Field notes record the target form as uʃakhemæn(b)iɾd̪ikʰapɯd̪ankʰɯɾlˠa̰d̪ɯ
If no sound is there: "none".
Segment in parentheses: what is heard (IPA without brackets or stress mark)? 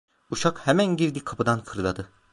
ɟ